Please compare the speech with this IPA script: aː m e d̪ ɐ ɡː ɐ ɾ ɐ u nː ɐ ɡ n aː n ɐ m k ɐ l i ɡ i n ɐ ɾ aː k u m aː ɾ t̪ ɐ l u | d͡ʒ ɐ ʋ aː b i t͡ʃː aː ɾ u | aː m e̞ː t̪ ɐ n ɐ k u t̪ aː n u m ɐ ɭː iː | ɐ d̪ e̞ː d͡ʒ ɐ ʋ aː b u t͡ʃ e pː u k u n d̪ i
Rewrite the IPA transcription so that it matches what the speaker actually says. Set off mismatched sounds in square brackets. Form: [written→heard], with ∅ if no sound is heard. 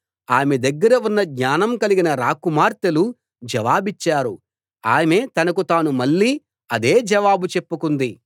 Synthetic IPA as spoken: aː m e d̪ ɐ ɡː ɐ ɾ ɐ u nː ɐ ɡ [n→ɲ] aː n ɐ m k ɐ l i ɡ i n ɐ ɾ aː k u m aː ɾ t̪ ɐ l u | d͡ʒ ɐ ʋ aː b i t͡ʃː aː ɾ u | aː m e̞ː t̪ ɐ n ɐ k u t̪ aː n u m ɐ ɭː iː | ɐ d̪ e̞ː d͡ʒ ɐ ʋ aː b u t͡ʃ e pː u k u n d̪ i